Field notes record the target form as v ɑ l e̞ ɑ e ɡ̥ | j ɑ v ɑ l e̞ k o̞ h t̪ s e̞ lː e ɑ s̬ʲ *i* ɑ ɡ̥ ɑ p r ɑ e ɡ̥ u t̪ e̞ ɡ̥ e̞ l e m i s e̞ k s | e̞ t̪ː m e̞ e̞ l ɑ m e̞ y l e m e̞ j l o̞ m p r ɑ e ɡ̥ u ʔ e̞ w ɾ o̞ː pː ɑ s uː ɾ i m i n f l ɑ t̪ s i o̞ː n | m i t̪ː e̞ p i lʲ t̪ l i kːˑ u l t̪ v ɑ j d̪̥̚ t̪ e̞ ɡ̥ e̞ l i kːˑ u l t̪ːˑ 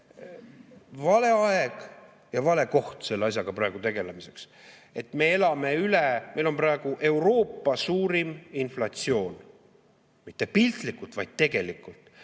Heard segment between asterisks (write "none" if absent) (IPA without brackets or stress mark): j